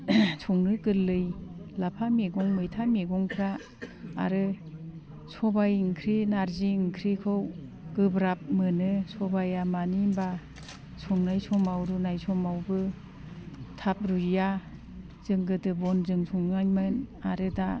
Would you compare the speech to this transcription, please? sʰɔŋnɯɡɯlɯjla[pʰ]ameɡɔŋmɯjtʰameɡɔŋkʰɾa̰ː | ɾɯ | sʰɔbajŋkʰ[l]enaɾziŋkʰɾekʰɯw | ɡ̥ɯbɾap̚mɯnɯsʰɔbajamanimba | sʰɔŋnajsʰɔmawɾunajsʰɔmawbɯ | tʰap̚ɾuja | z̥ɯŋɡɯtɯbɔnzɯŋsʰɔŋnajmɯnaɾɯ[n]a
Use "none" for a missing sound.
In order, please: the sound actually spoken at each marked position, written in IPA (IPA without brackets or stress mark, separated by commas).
pʰ, ɾ, d